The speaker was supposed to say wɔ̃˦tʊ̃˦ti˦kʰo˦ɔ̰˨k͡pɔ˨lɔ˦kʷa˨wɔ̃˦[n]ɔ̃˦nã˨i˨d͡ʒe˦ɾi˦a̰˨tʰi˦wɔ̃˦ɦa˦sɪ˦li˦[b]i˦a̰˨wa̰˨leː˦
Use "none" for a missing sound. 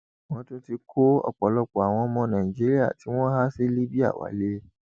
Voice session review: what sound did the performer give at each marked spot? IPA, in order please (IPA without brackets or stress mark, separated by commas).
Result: m, b